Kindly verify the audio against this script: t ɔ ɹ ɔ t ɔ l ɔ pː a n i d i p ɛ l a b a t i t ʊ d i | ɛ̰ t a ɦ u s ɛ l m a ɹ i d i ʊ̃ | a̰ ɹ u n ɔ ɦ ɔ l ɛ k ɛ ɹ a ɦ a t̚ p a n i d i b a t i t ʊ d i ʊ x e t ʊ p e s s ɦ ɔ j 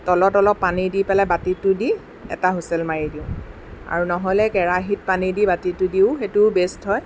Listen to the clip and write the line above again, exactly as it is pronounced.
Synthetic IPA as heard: t ɔ l ɔ t ɔ l ɔ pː a n i d i p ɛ l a b a t i t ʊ d i | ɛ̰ t a ɦ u s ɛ l m a ɹ i d i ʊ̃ | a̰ ɹ u n ɔ ɦ ɔ l ɛ k ɛ ɹ a ɦ i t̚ p a n i d i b a t i t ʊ d i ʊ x e t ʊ b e s t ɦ ɔ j